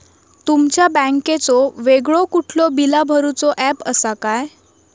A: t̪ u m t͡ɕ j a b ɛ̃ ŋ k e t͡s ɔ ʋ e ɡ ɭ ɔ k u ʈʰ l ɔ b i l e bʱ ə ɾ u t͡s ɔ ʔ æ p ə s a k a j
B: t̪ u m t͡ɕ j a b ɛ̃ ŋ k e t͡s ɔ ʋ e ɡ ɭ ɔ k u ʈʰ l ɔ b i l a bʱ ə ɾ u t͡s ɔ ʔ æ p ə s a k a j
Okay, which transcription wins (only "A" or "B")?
B